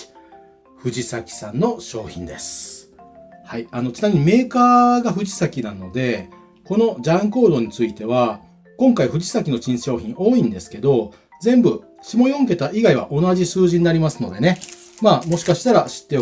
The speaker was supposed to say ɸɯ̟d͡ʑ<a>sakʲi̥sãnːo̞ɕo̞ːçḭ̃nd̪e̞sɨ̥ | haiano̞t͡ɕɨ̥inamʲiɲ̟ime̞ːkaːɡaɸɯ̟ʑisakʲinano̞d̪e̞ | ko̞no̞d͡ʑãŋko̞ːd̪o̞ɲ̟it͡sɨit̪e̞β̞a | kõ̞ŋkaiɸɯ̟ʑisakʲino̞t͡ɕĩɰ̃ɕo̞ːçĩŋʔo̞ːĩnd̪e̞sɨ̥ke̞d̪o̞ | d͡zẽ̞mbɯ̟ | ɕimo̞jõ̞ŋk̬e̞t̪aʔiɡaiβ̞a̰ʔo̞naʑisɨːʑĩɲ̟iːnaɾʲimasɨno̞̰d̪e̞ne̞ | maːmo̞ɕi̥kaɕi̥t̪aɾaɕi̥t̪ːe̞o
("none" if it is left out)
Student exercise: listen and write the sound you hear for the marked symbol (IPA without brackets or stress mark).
i